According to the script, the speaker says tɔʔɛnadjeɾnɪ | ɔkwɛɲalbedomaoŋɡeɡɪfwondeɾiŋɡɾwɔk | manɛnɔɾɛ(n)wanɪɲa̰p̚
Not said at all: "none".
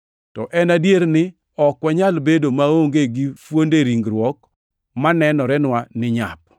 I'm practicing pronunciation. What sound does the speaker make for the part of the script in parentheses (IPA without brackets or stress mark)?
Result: n